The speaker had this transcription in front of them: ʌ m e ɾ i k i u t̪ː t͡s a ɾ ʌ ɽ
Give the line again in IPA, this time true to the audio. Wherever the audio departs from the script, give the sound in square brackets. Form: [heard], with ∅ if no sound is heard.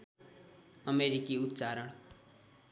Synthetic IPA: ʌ m e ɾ i k i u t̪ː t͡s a ɾ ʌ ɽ